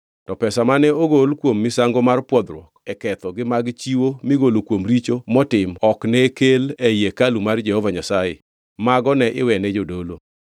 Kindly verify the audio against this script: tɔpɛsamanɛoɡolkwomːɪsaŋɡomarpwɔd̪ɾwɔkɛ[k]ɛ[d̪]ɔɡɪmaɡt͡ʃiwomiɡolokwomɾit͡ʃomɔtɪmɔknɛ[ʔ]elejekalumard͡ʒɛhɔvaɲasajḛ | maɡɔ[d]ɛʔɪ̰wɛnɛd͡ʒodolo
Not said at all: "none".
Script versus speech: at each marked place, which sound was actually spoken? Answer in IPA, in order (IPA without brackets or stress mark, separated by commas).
k, t̪, k, n